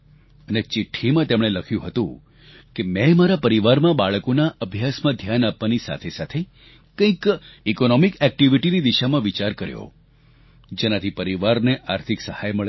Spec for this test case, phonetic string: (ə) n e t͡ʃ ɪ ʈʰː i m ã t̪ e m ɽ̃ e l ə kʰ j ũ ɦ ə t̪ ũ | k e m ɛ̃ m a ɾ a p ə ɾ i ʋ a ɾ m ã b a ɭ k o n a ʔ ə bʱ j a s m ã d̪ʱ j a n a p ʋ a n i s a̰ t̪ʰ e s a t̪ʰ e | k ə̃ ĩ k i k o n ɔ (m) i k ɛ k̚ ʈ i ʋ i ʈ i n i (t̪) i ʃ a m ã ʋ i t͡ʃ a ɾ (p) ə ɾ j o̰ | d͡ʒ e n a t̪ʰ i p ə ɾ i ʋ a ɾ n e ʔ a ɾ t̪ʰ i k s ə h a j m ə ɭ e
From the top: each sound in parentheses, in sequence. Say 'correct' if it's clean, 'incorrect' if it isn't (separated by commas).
correct, correct, incorrect, incorrect